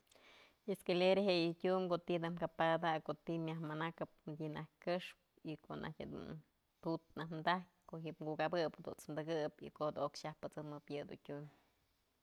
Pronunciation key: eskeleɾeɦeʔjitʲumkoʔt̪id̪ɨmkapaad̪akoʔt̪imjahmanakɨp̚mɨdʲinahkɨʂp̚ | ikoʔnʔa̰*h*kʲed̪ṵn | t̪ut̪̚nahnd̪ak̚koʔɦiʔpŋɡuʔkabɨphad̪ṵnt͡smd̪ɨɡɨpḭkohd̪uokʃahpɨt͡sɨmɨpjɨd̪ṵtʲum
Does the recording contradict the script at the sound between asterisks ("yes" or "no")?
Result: no